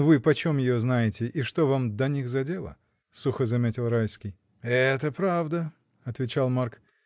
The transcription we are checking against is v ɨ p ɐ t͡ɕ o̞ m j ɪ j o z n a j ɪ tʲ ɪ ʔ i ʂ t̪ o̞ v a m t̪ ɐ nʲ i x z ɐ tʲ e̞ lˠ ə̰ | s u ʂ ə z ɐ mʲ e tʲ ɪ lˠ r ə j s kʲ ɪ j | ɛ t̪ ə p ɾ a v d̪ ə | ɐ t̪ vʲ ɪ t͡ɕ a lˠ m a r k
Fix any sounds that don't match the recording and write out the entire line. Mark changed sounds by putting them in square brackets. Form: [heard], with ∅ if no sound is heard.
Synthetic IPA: v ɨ p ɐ t͡ɕ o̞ m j ɪ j o z n a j ɪ tʲ ɪ ʔ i ʂ t̪ o̞ v a m [d̪] ɐ nʲ i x z ɐ [dʲ] e̞ lˠ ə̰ | s u [x] ə z ɐ mʲ e tʲ ɪ lˠ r [a] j s kʲ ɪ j | ɛ t̪ ə p ɾ a v d̪ ə | ɐ t̪ vʲ ɪ t͡ɕ a lˠ m a r k